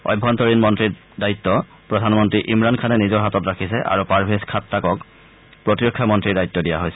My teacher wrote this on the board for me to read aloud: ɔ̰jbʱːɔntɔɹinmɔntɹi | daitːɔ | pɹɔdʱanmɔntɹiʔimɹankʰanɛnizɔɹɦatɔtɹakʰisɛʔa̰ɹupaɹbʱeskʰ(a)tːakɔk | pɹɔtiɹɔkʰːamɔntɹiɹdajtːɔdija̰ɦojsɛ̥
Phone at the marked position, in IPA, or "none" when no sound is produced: a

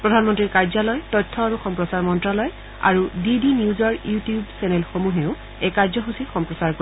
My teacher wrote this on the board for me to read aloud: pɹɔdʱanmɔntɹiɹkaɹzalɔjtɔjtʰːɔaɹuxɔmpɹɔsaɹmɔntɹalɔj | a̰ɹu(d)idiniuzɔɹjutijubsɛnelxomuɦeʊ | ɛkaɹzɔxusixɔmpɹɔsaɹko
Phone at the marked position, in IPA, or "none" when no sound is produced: d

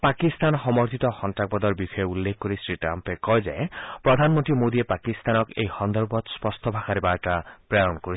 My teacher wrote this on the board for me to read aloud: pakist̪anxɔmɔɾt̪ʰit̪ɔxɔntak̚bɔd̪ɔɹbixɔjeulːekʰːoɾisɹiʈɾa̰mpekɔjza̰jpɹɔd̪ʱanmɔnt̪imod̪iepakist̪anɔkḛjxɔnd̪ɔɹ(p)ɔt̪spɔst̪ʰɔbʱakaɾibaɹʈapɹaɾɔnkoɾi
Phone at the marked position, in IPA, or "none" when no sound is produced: b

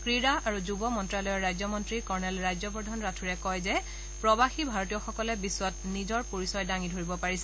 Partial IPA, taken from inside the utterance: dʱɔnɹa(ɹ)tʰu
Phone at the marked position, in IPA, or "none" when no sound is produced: none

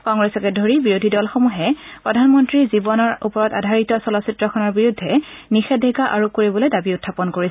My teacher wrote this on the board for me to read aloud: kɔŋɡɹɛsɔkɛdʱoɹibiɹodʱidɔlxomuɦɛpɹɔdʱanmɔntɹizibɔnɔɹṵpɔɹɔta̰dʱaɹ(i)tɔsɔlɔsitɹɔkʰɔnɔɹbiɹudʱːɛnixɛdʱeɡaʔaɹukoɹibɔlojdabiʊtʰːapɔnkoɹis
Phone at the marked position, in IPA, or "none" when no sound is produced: i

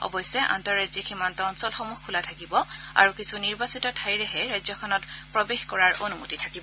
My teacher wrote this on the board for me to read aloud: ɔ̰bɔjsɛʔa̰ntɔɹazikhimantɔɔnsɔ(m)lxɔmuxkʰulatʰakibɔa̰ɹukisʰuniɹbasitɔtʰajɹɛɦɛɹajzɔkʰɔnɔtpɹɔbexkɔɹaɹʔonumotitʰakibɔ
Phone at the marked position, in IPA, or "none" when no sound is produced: none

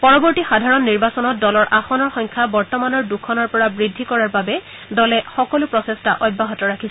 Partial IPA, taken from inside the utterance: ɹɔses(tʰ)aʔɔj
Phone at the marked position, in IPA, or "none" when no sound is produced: t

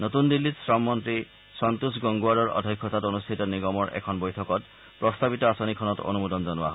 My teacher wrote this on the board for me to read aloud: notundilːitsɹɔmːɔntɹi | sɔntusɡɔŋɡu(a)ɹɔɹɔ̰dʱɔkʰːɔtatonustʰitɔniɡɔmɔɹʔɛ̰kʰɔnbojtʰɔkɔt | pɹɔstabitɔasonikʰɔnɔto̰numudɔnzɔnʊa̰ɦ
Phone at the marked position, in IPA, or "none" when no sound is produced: a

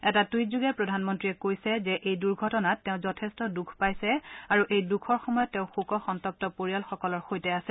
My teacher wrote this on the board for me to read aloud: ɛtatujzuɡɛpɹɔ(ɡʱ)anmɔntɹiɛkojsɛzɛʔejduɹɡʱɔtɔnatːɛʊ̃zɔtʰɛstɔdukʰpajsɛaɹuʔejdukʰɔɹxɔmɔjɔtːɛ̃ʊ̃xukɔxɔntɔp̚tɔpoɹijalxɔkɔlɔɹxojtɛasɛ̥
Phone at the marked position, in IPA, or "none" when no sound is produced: dʱ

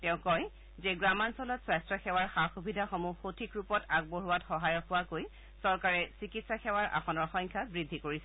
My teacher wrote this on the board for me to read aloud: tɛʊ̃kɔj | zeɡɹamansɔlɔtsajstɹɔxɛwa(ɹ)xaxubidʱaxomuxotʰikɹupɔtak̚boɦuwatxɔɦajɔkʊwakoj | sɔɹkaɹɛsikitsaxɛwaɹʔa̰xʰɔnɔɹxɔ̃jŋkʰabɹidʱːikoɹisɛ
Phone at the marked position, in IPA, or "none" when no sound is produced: ɹ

